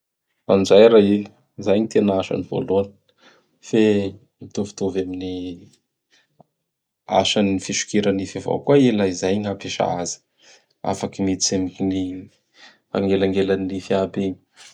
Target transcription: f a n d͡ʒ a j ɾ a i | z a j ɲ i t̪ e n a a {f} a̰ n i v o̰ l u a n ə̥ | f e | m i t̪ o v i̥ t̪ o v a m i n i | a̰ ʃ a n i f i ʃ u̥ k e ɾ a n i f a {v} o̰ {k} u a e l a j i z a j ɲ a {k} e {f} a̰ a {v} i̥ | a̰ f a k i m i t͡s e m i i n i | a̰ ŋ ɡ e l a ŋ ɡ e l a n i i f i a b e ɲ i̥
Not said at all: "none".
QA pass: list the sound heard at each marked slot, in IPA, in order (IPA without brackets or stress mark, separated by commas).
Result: ʃ, v, k, p, ʃ, z